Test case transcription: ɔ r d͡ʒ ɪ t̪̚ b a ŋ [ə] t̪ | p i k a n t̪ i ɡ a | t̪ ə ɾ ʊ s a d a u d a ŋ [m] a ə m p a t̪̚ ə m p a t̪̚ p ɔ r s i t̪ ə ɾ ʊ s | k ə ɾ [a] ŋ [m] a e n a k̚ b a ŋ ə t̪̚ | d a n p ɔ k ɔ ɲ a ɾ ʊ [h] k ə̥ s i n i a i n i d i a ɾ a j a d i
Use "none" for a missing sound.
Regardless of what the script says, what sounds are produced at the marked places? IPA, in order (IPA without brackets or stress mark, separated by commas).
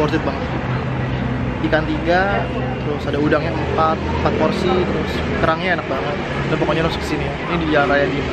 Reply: ə, ɲ, a, ɲ, s